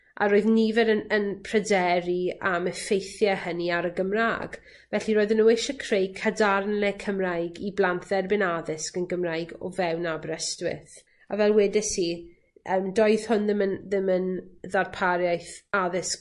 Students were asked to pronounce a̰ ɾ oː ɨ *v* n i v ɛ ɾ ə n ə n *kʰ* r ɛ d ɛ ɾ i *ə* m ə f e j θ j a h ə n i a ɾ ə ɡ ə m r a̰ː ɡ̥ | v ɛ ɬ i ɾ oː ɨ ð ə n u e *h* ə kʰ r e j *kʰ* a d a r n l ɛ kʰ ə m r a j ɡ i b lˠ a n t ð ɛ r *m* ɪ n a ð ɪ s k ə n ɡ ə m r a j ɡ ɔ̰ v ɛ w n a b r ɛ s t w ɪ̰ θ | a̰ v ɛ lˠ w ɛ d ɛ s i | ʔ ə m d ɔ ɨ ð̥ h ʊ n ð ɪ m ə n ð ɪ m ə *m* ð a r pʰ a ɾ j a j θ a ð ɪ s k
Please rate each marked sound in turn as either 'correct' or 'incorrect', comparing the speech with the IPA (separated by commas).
incorrect, incorrect, incorrect, incorrect, correct, incorrect, incorrect